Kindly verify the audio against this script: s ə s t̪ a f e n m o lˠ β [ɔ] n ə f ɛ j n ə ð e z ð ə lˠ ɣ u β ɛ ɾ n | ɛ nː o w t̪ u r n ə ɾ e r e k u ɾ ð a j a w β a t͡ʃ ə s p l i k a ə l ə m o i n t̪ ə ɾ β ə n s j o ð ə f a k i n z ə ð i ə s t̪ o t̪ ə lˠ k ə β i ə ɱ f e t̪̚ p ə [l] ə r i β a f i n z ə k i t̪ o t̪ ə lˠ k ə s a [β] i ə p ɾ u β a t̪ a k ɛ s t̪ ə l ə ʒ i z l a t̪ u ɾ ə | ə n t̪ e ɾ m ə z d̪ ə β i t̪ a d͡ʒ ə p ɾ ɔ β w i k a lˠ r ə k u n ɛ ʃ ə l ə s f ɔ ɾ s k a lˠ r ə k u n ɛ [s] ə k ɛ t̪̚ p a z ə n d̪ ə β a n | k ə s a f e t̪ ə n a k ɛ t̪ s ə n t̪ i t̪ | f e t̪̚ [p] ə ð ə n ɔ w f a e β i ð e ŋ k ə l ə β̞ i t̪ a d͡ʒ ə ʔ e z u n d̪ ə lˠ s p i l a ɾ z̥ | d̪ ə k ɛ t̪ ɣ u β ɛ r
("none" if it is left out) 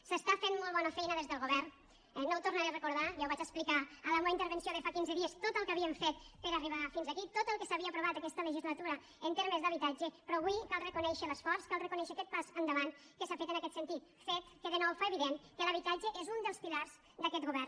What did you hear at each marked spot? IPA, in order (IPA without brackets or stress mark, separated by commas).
ɔ, ɾ, β, ʃ, k